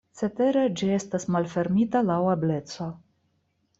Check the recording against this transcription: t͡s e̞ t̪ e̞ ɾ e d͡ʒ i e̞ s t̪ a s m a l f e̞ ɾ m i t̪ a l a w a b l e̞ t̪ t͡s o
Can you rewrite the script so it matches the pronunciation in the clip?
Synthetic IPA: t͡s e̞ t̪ e̞ ɾ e d͡ʒ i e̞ s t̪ a s m a l f e̞ ɾ m i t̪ a l a w a b l e̞ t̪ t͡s o